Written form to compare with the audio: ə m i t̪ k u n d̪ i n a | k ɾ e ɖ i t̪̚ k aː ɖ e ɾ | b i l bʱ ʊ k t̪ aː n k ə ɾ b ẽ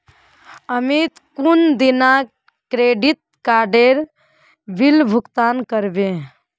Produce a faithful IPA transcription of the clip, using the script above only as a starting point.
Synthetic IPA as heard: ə m i t̪ k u n d̪ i n a | k ɾ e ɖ i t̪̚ k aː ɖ e ɾ | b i l bʱ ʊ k t̪ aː n k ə ɾ b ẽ